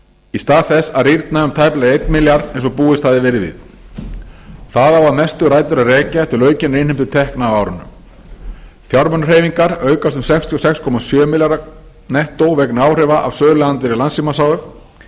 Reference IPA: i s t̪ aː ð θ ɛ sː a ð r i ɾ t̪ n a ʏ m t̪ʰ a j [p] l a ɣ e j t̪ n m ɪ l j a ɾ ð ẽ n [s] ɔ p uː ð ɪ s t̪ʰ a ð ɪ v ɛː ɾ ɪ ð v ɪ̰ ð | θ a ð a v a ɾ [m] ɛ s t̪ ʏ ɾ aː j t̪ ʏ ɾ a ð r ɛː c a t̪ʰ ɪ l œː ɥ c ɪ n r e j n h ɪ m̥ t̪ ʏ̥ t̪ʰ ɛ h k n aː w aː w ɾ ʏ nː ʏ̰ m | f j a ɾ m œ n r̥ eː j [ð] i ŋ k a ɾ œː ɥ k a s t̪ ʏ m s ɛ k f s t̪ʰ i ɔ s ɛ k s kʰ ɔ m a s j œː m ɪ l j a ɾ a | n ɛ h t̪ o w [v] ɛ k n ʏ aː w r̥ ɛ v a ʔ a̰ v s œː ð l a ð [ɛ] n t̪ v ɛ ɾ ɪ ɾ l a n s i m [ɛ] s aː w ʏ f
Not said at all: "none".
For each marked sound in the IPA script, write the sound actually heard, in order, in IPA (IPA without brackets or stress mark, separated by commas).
p, s, m, v, v, a, a